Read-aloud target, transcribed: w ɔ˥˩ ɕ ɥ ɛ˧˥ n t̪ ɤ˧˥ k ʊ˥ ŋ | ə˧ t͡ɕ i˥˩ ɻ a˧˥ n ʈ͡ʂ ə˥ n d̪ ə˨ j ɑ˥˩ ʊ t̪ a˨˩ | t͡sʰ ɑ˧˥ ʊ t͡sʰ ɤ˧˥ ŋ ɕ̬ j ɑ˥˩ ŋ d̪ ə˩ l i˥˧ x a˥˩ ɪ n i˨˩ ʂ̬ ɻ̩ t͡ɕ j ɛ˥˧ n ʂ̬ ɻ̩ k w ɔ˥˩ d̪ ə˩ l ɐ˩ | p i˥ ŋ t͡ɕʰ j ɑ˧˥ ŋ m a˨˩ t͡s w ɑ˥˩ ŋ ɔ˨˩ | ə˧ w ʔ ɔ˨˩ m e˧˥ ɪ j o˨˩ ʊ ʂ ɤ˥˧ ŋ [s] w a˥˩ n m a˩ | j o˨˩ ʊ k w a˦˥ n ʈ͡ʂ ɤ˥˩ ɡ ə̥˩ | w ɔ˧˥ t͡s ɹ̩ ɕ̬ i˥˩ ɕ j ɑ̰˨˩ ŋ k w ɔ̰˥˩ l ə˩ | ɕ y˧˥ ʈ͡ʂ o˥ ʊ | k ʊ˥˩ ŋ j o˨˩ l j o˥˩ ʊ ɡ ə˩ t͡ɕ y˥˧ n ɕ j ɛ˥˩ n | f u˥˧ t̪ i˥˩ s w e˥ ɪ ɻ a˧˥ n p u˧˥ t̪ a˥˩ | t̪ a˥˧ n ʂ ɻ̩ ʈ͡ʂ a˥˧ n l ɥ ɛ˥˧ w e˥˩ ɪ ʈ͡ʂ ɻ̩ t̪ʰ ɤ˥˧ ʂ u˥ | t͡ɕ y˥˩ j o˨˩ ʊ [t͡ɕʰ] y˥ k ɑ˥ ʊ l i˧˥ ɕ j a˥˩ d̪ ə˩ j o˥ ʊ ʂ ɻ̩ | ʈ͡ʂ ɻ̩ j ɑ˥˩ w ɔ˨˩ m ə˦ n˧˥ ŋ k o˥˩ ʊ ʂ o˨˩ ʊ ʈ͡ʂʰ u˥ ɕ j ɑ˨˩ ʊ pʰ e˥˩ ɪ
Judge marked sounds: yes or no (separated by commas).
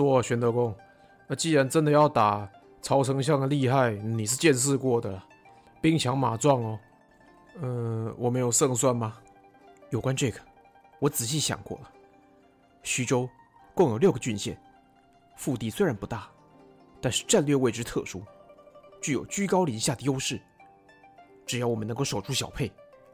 yes, no